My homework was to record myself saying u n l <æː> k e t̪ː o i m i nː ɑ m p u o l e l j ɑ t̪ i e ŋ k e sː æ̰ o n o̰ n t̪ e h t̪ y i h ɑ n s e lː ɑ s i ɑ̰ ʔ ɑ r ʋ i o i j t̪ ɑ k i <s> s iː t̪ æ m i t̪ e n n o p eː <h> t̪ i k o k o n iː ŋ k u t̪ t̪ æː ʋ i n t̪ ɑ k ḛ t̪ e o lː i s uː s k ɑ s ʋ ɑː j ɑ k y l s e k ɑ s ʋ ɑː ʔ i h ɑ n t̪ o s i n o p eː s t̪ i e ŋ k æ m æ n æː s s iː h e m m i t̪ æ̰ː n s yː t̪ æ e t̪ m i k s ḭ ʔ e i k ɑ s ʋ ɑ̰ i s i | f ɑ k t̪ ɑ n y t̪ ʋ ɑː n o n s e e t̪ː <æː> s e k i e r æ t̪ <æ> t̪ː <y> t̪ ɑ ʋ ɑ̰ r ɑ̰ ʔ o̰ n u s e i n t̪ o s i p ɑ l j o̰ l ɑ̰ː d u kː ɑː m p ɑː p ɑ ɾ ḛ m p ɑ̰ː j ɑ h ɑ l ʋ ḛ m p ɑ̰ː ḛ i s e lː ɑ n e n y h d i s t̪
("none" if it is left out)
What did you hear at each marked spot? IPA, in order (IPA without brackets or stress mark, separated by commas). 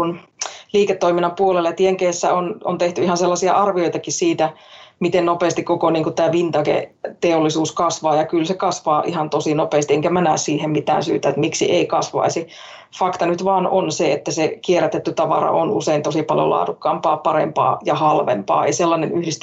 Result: iː, s, s, æ, e, y